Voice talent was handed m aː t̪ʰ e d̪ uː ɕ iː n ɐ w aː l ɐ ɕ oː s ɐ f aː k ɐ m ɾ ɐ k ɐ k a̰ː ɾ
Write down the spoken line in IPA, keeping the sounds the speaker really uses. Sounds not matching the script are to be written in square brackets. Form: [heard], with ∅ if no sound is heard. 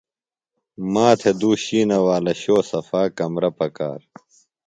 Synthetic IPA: m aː t̪ʰ e d̪ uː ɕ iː n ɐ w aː l ɐ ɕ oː s ɐ f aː k ɐ m ɾ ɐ [p] ɐ k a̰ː ɾ